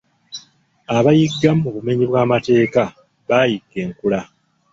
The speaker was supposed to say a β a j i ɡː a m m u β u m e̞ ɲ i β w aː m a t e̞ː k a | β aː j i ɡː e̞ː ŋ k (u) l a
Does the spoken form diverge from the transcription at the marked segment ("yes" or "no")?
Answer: no